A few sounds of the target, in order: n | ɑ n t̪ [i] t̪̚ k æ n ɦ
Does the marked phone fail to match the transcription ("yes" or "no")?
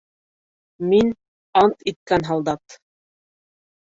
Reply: no